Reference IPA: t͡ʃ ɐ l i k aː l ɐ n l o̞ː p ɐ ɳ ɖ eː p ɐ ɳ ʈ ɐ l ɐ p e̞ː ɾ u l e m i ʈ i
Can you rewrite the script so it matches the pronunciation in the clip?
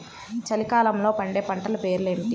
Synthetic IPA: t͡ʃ ɐ l i k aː l ɐ m l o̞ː p ɐ ɳ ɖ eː p ɐ ɳ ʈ ɐ l ɐ p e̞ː ɾ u l e m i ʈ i